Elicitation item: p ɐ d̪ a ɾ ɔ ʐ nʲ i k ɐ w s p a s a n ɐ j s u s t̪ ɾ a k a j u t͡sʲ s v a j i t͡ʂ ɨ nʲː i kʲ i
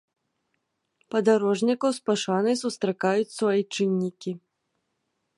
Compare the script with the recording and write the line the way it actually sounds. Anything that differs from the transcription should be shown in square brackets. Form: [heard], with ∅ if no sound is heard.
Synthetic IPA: p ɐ d̪ a ɾ ɔ ʐ nʲ i k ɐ w s p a [ʂ] a n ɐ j s u s t̪ ɾ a k a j u t͡sʲ s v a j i t͡ʂ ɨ nʲː i kʲ i